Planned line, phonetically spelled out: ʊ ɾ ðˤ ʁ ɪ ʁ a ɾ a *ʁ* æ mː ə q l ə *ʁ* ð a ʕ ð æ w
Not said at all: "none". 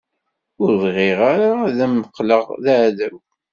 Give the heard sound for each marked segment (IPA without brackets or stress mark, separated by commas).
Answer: ð, ʁ